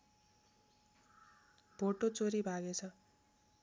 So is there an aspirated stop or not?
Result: yes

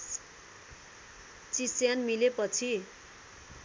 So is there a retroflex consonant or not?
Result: no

